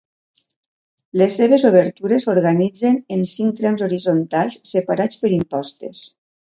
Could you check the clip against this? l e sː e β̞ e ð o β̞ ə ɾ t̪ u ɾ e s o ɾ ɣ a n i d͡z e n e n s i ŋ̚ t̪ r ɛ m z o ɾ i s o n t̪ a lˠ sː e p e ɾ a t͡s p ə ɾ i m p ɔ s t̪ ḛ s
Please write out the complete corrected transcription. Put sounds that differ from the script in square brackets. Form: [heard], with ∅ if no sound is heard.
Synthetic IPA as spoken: l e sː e β̞ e [z] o β̞ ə ɾ t̪ u ɾ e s o ɾ ɣ a n i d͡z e n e n s i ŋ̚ t̪ [ɾ] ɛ m z o ɾ i [z] o n t̪ a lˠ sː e p [a] ɾ a t͡s p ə ɾ i m p ɔ s t̪ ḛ s